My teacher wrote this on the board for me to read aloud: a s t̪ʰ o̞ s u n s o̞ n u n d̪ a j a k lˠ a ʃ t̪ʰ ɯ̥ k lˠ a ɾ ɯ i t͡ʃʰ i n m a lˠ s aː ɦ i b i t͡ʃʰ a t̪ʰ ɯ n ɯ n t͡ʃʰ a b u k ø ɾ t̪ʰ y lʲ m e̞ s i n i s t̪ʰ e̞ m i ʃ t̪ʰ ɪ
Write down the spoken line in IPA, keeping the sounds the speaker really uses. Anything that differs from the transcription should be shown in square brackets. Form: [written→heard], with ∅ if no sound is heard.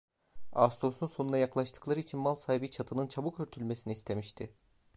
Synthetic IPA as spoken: a s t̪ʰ o̞ s u n s o̞ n u n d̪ a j a k lˠ a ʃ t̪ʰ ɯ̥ k lˠ a ɾ ɯ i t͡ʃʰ i n m a lˠ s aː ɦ i b i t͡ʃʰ a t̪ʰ ɯ n ɯ n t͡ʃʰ a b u k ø ɾ t̪ʰ y lʲ m e̞ s i n i s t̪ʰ e̞ m i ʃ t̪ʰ ɪ